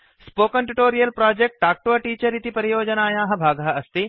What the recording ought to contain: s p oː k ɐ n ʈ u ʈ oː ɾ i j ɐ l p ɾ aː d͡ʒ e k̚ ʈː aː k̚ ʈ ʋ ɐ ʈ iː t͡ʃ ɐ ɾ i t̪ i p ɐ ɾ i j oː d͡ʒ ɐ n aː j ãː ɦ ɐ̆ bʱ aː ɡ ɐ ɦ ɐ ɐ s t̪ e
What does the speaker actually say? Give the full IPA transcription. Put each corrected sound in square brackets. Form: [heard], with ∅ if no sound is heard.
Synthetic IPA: s p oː k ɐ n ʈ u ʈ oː ɾ i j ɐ l p ɾ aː d͡ʒ e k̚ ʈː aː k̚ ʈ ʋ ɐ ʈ iː t͡ʃ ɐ ɾ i t̪ i p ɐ ɾ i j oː d͡ʒ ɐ n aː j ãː ɦ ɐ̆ bʱ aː ɡ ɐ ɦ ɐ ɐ s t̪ [i]